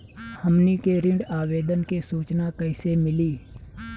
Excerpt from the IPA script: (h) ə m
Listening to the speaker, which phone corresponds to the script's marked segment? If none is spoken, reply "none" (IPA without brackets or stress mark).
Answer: h